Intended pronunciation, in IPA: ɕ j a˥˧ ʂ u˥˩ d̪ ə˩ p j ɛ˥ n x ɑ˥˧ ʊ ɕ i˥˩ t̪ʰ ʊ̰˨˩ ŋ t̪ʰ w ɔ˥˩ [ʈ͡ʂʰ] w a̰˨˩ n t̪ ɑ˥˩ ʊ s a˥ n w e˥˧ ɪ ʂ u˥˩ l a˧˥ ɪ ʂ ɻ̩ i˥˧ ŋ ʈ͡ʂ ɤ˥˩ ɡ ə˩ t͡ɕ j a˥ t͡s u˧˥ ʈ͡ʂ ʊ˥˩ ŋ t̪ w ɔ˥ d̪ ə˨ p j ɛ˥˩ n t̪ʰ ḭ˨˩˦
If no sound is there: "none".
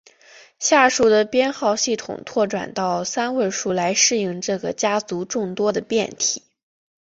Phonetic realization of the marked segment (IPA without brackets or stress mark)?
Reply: ʈ͡ʂ